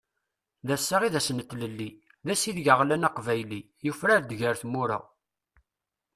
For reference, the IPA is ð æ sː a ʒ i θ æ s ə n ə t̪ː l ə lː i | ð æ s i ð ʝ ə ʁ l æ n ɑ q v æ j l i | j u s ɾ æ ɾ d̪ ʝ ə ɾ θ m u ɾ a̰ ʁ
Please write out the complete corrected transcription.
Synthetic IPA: ð æ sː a ʁ i ð æ s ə n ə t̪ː l ə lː i | ð æ s i ð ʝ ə ʁ l æ n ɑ q v æ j l i | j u f ɾ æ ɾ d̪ ʝ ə ɾ θ m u ɾ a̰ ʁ